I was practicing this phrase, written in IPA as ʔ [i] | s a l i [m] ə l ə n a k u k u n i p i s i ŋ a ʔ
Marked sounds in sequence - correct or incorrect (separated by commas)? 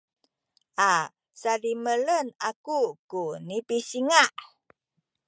incorrect, correct